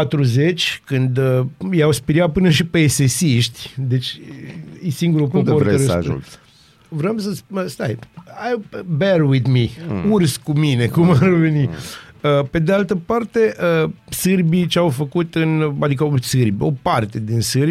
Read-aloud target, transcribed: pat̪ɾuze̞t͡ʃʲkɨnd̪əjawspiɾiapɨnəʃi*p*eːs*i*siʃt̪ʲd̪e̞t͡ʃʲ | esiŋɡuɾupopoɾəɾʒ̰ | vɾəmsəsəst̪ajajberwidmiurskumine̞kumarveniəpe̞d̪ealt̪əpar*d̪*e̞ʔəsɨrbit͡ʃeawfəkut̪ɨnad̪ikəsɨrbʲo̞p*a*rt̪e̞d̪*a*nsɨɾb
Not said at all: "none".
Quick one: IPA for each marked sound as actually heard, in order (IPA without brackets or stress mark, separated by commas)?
p, e, t̪, a, i